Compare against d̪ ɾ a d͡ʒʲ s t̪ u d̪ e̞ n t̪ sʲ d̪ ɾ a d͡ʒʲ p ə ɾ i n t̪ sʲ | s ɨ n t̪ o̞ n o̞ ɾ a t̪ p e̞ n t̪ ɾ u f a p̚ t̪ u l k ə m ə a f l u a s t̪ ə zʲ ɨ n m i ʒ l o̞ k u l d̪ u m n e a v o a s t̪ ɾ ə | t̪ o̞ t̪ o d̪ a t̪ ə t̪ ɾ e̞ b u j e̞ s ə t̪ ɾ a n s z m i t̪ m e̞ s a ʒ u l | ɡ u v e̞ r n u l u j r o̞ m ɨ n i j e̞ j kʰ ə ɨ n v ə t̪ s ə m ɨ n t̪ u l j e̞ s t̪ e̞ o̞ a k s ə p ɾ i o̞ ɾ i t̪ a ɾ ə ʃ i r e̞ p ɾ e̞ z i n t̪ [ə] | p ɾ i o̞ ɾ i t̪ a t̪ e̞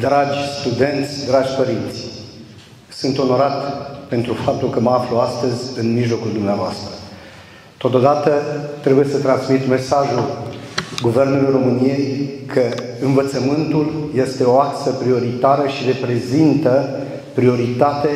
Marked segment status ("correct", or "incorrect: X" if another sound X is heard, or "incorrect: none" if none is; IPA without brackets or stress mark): correct